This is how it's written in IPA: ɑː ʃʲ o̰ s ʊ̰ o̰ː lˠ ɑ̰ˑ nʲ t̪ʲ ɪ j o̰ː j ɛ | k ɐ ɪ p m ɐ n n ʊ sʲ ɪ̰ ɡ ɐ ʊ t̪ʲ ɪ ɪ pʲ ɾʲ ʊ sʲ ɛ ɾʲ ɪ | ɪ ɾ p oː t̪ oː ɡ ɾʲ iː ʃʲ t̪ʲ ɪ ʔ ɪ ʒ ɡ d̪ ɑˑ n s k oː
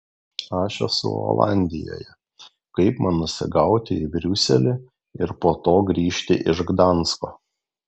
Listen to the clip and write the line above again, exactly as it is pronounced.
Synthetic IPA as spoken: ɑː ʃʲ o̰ s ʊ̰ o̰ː lˠ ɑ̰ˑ nʲ d̪ʲ ɪ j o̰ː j ɛ | k ɐ ɪ p m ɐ n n ʊ sʲ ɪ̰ ɡ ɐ ʊ t̪ʲ ɪ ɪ bʲ ɾʲ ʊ sʲ ɛ lʲ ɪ | ɪ ɾ p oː t̪ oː ɡ ɾʲ iː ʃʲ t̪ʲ ɪ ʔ ɪ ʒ ɡ d̪ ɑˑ n s k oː